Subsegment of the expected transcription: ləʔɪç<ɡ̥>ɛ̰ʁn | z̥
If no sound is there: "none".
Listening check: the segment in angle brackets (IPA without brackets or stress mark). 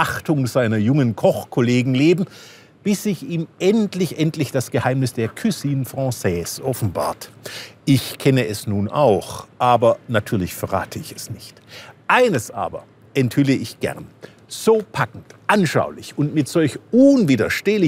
ɡ̥